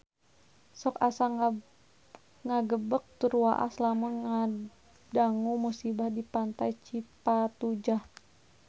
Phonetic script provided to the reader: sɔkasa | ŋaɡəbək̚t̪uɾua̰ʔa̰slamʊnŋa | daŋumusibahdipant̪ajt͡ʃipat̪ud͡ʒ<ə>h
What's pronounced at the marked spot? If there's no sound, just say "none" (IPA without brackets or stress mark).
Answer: a